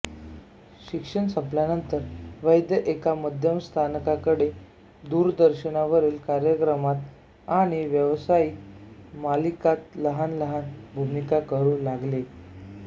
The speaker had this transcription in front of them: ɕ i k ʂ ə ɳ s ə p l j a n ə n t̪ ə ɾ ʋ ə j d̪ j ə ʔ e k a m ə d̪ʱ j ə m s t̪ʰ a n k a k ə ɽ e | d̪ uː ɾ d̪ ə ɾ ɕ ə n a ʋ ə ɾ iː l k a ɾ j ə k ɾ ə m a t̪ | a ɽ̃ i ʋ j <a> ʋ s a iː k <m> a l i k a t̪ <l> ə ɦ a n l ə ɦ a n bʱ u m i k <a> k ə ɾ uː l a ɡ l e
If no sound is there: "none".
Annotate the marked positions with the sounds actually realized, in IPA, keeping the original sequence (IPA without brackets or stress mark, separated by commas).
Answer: ə, m, l, a